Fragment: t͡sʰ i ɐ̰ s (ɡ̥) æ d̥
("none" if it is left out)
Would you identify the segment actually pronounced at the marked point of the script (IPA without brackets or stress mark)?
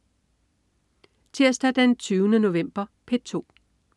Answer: d̥